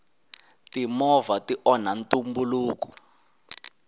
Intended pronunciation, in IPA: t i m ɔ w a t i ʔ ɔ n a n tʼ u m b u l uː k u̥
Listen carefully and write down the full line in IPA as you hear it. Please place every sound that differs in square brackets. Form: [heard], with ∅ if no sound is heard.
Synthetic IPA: t i m ɔ [v] a t i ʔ ɔ n a n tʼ u m b u l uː k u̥